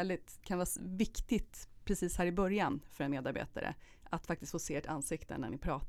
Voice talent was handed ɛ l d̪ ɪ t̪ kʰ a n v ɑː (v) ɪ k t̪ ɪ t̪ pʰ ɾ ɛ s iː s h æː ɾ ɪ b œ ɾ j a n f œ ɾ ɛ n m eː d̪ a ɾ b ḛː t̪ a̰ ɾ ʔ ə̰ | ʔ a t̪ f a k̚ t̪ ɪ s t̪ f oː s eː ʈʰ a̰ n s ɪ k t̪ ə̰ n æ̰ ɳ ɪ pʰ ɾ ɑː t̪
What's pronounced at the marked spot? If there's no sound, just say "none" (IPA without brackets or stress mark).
v